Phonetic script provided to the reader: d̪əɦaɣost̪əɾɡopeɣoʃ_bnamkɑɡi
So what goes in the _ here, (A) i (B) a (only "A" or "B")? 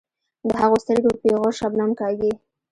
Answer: B